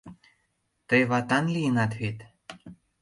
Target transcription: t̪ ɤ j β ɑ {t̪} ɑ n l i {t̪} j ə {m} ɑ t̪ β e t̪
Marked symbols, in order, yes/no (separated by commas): yes, no, no